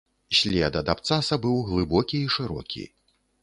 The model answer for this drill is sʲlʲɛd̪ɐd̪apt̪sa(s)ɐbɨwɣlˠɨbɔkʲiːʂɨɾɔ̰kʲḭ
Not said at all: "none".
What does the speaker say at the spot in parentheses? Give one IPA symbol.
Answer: s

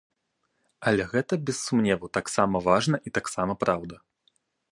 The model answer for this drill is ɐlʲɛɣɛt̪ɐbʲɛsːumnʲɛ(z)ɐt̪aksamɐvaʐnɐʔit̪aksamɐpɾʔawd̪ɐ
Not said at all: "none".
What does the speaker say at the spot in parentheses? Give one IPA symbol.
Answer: v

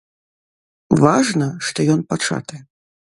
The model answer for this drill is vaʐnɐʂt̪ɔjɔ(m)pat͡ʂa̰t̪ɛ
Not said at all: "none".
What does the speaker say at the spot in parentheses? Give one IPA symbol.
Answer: n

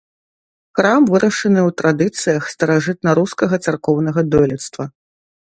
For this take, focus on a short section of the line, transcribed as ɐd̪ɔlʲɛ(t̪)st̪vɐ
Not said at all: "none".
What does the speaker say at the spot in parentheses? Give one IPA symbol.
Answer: t̪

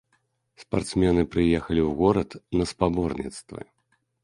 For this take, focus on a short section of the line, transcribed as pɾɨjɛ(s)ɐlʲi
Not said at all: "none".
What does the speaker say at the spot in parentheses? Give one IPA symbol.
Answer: x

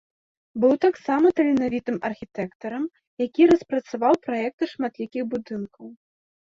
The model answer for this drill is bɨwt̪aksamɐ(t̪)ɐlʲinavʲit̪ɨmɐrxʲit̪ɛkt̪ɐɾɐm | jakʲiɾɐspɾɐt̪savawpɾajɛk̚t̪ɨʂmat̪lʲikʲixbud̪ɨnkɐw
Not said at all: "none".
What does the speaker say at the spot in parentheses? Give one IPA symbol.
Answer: t̪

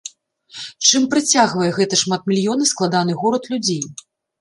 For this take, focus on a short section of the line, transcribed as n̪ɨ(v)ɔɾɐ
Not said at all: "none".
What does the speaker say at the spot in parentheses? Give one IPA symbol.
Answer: ɣ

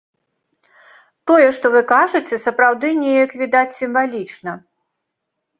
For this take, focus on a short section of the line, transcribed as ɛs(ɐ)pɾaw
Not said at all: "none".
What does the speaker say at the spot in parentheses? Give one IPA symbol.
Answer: ɐ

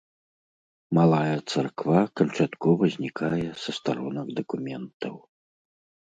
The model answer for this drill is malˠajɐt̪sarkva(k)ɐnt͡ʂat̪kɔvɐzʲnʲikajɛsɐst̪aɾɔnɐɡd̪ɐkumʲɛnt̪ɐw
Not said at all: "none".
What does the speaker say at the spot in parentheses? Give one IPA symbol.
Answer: k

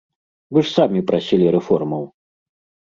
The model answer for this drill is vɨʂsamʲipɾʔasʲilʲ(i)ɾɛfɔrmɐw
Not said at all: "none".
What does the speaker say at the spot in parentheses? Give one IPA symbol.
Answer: i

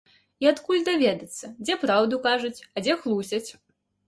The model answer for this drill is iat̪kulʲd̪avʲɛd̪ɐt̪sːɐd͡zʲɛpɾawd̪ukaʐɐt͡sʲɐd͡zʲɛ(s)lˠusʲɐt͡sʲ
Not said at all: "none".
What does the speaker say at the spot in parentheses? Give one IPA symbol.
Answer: x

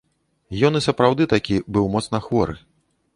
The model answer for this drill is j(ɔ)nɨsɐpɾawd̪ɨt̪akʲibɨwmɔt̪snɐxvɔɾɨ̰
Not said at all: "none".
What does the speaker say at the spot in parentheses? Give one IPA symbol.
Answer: ɔ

